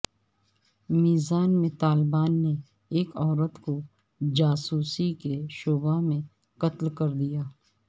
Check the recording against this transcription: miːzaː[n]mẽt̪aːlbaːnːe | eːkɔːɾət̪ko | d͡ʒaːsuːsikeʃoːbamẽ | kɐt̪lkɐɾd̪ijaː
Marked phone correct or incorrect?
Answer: correct